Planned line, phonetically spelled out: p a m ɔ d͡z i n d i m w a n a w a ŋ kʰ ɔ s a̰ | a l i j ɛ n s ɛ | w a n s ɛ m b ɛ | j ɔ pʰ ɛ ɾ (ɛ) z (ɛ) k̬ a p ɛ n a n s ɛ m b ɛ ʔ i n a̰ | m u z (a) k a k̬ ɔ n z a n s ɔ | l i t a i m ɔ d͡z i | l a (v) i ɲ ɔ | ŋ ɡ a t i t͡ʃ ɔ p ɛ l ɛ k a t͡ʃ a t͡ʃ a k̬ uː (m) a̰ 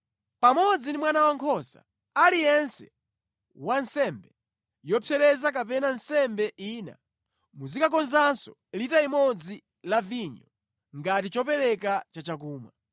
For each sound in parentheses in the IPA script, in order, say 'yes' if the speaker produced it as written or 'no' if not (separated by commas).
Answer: yes, no, no, yes, yes